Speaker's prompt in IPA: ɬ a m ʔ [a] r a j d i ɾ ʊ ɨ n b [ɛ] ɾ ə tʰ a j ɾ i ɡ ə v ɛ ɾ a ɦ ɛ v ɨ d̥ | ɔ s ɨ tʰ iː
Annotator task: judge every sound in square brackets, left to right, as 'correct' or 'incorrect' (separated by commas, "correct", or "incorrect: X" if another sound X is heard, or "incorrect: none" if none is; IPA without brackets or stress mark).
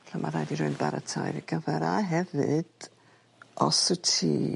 correct, incorrect: a